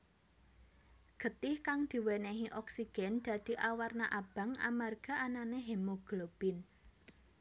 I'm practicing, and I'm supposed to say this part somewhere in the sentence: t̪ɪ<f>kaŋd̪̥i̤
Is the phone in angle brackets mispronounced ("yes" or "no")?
yes